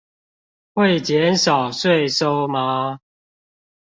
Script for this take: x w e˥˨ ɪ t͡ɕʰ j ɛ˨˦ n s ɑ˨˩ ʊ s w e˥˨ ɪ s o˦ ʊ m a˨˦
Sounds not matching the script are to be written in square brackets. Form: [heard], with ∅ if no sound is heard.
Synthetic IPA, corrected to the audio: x w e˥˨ ɪ [t͡ɕ] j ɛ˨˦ n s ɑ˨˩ ʊ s w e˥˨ ɪ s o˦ ʊ m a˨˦